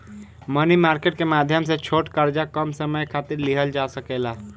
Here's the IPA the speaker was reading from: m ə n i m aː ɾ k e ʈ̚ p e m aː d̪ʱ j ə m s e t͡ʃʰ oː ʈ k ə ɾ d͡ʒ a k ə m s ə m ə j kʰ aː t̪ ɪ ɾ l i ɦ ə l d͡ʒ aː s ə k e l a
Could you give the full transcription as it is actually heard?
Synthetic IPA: m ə n i m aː ɾ k e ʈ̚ k e m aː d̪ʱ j ə m s e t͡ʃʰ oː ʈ k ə ɾ d͡ʒ a k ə m s ə m ə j kʰ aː t̪ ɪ ɾ l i ɦ ə l d͡ʒ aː s ə k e l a

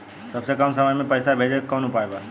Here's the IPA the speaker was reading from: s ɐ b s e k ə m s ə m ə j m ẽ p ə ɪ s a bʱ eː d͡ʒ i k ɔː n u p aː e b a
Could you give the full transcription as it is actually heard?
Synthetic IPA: s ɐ b s e k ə m s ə m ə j m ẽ p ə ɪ s a bʱ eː d͡ʒ e k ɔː n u p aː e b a

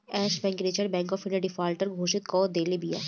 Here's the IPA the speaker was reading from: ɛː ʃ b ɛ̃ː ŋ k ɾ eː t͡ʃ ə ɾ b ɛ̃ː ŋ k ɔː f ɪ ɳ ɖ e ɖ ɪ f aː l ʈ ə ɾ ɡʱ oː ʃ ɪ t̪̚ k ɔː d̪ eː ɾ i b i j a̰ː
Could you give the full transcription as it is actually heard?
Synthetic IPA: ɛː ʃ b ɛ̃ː ŋ k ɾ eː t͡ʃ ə ɾ b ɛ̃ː ŋ k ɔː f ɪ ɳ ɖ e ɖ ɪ f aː l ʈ ə ɾ ɡʱ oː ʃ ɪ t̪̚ k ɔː d̪ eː l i b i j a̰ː

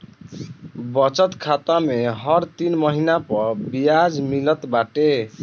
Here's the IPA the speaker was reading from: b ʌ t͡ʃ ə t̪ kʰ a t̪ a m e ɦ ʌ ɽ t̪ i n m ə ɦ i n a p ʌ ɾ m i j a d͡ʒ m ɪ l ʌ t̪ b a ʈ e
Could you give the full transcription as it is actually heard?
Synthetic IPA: b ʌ t͡ʃ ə t̪ kʰ a t̪ a m e ɦ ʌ ɾ t̪ i n m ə ɦ i n a p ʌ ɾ b i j a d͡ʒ m i l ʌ t̪ b a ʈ e

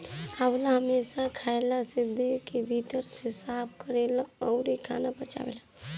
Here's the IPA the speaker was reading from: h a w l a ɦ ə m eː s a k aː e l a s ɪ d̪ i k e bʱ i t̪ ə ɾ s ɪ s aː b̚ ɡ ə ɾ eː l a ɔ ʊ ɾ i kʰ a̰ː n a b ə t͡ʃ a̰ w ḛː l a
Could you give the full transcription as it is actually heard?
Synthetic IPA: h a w l a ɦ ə m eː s a kʰ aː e l a s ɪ d̪ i k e bʱ i t̪ ə ɾ s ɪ s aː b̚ k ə ɾ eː l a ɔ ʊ ɾ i kʰ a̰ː n a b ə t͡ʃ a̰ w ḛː l a

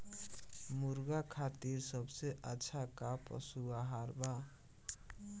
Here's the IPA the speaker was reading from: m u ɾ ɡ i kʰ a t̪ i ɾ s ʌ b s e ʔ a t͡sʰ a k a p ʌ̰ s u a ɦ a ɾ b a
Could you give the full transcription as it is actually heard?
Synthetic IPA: m u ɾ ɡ a kʰ a t̪ i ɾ s ʌ b s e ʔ a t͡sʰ a k a p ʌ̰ s u a ɦ a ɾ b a

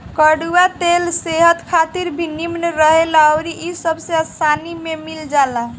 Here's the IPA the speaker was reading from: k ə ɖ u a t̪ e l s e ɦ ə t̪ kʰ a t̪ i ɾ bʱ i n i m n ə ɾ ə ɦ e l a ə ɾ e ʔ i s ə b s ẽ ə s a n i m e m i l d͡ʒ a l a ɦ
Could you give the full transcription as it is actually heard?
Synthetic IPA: k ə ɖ u a t̪ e l s e ɦ ə t̪ kʰ a t̪ i ɾ bʱ i n i m n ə ɾ ə ɦ e l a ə ɾ i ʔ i s ə b s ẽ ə s a n i m e m i l d͡ʒ a l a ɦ

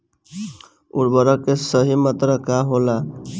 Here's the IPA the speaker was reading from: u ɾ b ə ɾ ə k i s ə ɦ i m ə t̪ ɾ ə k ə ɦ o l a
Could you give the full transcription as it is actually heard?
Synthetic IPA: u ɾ b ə ɾ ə k e s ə ɦ i m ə t̪ ɾ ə k a ɦ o l a

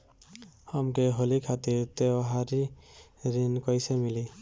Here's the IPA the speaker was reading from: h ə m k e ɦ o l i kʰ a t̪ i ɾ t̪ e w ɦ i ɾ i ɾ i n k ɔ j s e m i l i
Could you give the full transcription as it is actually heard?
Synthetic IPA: h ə m k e ɦ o l i kʰ a t̪ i ɾ t̪ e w ɦ a ɾ i ɾ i n k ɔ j s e m i l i

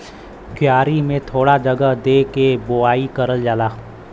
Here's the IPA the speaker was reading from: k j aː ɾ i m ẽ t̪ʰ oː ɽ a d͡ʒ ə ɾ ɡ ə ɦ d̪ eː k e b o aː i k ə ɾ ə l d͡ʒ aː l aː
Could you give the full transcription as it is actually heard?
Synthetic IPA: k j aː ɾ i m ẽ t̪ʰ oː ɽ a d͡ʒ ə ɡ ə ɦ d̪ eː k e b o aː i k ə ɾ ə l d͡ʒ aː l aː

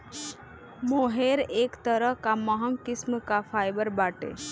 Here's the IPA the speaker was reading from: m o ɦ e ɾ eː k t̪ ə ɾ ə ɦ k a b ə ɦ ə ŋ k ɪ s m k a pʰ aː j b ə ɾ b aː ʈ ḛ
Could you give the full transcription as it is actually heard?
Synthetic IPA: m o ɦ e ɾ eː k t̪ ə ɾ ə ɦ k a m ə ɦ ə ŋ k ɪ s m k a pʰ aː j b ə ɾ b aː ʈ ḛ

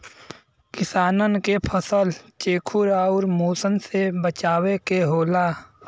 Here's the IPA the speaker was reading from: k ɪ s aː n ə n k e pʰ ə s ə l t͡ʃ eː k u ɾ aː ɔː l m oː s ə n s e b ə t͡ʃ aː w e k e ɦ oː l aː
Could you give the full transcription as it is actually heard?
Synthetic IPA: k ɪ s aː n ə n k e pʰ ə s ə l t͡ʃ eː kʰ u ɾ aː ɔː ɾ m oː s ə n s e b ə t͡ʃ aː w e k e ɦ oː l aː

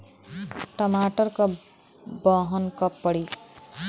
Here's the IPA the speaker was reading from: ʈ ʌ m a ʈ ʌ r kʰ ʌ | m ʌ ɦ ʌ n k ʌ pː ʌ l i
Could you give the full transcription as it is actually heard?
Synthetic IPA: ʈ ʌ m a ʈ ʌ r k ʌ | b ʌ ɦ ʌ n k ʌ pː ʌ ɽ i

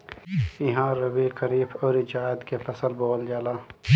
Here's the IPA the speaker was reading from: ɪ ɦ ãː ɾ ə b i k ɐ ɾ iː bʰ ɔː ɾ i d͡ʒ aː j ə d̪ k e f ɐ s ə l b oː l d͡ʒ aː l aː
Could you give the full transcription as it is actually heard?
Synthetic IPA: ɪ ɦ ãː ɾ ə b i k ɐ ɾ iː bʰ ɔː ɾ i d͡ʒ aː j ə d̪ k e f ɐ s ə l b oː l d͡ʒ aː l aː

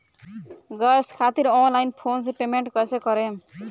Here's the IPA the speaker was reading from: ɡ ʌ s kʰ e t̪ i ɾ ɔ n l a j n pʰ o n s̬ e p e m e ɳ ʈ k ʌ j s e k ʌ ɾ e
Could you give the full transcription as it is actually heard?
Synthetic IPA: ɡ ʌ s kʰ a t̪ i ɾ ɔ n l a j n pʰ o n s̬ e p e m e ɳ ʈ k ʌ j s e k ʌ ɾ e

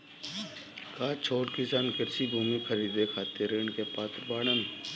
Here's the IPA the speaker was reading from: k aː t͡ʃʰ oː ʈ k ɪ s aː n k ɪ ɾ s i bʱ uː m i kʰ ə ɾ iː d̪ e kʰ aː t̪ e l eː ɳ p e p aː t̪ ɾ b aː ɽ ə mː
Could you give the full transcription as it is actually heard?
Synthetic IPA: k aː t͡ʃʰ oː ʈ k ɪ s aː n k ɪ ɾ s i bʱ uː m i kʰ ə ɾ iː d̪ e kʰ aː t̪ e ɾ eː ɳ k e p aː t̪ ɾ b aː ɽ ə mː

